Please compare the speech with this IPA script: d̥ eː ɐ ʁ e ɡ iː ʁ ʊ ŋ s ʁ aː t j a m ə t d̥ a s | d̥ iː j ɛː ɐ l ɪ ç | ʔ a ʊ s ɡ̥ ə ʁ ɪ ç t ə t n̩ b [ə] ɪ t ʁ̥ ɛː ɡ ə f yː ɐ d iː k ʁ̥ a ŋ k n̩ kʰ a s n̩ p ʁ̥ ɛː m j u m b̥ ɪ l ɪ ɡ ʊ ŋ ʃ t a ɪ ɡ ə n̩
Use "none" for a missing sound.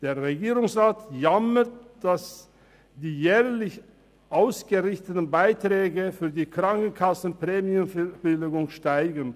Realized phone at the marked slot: a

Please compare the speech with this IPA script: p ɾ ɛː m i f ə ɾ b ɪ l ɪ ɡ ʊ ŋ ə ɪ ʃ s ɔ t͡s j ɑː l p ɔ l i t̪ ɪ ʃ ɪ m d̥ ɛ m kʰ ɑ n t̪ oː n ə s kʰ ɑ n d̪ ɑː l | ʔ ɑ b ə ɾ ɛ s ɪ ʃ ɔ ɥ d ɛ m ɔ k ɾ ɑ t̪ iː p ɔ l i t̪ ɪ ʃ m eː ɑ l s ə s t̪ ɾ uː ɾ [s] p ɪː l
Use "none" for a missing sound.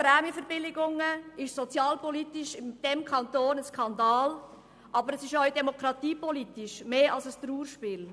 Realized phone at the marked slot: ʃ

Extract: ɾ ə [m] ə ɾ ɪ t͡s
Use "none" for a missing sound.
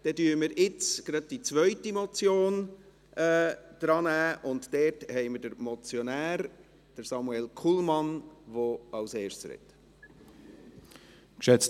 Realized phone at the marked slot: m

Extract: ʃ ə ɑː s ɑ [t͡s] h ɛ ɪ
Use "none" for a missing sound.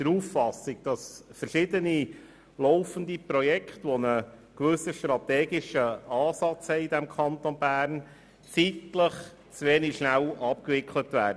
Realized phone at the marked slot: t͡s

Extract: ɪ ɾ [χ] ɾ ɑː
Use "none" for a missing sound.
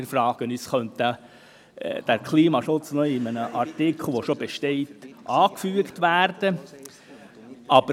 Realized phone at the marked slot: f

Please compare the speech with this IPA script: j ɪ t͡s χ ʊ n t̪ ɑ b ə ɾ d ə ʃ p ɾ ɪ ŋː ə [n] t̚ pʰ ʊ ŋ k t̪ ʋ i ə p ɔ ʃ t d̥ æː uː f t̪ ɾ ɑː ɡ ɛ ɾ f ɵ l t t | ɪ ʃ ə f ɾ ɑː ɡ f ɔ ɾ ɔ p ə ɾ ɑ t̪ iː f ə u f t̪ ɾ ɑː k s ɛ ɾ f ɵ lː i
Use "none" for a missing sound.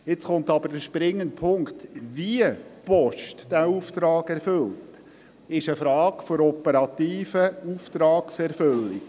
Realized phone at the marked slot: n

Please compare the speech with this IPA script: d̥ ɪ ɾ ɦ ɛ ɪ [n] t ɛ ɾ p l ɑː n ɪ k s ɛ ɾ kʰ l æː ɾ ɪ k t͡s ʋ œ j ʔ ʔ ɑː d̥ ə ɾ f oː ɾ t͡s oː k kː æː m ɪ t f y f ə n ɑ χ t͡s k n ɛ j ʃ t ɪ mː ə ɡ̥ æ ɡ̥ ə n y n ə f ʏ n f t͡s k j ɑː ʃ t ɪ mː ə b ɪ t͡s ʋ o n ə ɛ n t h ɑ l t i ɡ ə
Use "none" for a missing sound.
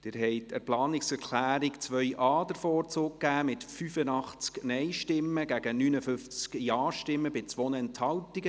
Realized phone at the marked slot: none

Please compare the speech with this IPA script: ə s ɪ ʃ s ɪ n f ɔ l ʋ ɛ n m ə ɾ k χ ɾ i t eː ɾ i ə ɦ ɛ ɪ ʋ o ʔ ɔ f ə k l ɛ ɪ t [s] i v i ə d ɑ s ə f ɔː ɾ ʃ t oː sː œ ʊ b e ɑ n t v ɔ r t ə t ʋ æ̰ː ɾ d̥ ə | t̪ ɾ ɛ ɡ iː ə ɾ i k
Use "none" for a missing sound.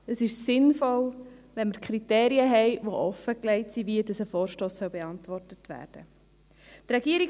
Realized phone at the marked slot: s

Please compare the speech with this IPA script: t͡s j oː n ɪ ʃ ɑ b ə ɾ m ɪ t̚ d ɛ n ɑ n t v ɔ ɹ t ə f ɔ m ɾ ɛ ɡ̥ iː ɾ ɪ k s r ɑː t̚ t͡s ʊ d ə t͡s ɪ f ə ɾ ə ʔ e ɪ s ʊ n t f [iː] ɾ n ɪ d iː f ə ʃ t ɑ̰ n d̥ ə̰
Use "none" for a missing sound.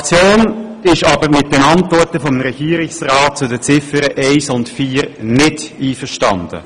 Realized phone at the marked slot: iː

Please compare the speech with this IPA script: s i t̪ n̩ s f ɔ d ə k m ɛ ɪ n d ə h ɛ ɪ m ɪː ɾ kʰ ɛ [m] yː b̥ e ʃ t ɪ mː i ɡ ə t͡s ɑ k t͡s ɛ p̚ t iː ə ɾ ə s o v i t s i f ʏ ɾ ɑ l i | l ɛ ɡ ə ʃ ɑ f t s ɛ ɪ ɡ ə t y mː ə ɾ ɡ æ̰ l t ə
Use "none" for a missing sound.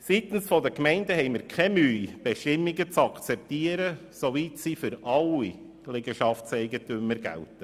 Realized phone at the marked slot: m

